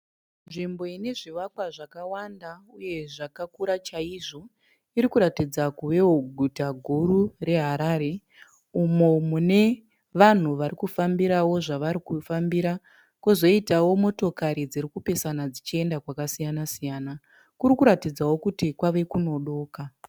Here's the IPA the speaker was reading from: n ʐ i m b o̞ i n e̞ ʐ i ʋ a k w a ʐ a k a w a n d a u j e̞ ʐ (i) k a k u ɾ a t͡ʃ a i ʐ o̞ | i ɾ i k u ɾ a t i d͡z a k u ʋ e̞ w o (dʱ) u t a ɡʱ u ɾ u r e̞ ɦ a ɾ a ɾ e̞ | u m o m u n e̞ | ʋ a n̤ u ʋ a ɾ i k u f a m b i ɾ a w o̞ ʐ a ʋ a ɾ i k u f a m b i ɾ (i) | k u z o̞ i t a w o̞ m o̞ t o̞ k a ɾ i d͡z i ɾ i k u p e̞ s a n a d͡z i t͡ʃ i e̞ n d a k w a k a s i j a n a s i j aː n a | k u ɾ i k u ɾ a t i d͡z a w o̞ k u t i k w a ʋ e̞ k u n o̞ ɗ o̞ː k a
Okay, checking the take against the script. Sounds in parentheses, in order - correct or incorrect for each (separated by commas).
incorrect, incorrect, incorrect